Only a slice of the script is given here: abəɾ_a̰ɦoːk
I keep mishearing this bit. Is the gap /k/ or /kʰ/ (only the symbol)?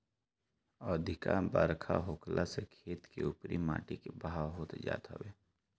kʰ